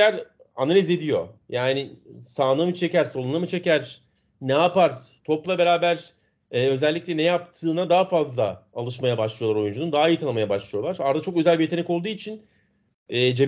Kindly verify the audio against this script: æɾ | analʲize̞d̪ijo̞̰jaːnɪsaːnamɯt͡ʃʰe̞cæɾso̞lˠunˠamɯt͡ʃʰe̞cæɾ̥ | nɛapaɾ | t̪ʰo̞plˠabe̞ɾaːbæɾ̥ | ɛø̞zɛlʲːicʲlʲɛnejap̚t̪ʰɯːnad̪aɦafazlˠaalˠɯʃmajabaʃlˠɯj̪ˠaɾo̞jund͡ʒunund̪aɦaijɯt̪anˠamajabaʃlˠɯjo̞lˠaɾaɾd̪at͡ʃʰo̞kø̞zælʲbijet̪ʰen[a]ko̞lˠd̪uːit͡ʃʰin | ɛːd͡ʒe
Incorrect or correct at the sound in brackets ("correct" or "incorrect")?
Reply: incorrect